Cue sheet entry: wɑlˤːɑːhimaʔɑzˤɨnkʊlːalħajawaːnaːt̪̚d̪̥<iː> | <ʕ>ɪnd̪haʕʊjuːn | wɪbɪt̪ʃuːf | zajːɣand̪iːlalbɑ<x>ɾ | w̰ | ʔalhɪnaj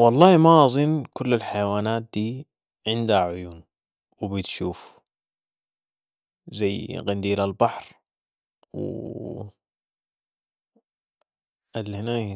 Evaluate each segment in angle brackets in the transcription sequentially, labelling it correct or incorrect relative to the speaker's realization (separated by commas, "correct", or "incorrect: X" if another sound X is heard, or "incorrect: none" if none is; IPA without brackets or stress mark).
correct, correct, incorrect: ħ